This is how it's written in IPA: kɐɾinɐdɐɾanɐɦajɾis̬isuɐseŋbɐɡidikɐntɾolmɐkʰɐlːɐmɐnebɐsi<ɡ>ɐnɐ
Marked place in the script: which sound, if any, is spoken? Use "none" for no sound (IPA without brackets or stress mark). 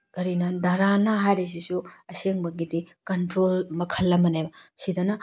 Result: d